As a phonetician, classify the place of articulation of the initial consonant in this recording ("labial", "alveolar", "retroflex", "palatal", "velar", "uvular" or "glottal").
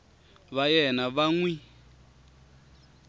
labial